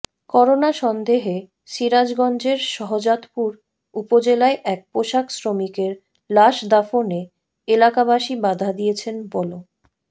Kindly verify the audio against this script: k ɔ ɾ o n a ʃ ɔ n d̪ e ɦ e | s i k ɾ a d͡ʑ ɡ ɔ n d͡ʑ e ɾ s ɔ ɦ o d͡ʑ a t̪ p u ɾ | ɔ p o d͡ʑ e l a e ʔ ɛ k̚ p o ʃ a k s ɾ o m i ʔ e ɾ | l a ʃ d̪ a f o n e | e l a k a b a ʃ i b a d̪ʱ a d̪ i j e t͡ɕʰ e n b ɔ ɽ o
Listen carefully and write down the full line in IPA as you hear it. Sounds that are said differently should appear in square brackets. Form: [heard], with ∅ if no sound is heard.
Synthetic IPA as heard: k ɔ ɾ o n a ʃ ɔ n d̪ e ɦ e | [ʃ] i [∅] ɾ a d͡ʑ ɡ ɔ n d͡ʑ e ɾ [ʃ] ɔ ɦ o d͡ʑ a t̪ p u ɾ | [u] p o d͡ʑ e l a e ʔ ɛ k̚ p o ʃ a k s ɾ o m i [k] e ɾ | l a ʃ d̪ a f o n e | e l a k a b a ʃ i b a d̪ʱ a d̪ i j e t͡ɕʰ e n b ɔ [l] o